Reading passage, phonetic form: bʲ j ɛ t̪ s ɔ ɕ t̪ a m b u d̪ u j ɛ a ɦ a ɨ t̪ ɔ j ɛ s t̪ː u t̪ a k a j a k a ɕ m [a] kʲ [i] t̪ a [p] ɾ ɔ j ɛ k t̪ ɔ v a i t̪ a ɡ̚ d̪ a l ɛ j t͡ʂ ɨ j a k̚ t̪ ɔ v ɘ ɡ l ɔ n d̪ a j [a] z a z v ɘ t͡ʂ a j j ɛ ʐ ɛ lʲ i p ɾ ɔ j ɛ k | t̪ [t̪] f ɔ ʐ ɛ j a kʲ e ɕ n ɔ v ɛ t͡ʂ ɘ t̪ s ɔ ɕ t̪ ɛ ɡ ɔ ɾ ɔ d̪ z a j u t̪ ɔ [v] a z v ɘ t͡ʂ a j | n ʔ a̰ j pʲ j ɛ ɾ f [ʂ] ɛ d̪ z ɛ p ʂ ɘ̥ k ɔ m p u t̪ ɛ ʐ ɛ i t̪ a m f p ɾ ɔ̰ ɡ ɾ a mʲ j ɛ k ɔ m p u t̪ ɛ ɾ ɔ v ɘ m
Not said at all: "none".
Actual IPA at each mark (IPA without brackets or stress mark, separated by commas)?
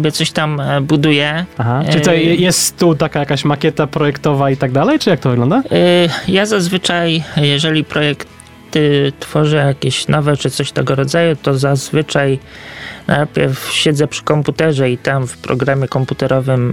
a, ɛ, p, a, t̪, z, ɕ